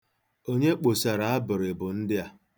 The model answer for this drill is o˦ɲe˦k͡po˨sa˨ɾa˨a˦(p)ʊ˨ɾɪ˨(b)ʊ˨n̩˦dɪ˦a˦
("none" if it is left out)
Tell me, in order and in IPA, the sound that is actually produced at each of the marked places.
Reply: b, b

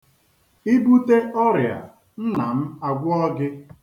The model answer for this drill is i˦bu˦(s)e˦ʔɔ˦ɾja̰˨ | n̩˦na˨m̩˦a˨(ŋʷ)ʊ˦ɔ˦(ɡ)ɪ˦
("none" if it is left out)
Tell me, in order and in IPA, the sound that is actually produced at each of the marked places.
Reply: t, ɡʷ, ɡ

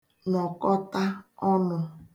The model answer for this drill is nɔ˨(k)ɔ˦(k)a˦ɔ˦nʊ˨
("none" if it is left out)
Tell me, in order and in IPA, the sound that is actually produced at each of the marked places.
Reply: k, t

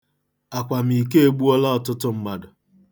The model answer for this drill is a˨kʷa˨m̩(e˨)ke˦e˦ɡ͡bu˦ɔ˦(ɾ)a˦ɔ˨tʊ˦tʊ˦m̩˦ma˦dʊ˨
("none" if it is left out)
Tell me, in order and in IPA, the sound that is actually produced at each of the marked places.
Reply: i˨, l

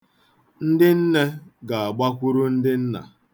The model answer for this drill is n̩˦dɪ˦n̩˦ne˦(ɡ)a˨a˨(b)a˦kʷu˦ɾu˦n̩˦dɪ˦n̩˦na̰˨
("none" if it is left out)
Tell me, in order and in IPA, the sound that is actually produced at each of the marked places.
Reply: ɡ, ɡ͡b

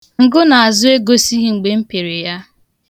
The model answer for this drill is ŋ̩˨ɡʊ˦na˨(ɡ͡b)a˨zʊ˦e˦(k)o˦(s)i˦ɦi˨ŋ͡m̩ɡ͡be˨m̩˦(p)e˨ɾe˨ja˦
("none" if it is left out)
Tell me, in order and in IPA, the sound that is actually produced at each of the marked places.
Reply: none, ɡ, s, p

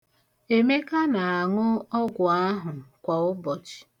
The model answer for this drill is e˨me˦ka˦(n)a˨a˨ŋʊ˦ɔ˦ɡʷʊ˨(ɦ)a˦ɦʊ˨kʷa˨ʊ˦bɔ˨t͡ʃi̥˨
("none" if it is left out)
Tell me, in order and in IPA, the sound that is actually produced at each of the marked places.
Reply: n, none

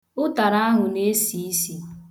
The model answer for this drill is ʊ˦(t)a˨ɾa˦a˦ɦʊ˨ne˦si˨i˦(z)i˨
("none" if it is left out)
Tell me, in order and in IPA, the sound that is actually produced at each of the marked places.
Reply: t, s

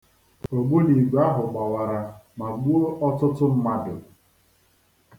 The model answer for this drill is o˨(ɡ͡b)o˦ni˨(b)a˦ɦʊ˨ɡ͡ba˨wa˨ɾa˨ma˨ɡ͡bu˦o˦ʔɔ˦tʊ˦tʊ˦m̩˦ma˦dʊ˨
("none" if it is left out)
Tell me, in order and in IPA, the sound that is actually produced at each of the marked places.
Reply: ɡ͡b, ɡ͡b

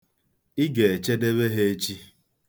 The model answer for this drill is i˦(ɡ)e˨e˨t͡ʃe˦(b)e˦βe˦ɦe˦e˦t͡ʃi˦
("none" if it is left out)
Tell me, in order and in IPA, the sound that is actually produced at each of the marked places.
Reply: ɡ, d

